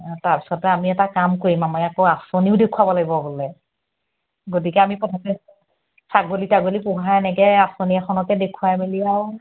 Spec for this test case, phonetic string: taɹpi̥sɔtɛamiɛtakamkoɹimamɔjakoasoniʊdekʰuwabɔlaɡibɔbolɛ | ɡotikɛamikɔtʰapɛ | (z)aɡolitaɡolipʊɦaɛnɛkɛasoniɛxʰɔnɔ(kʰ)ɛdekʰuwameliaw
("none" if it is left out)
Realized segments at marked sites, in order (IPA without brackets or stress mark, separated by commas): s, k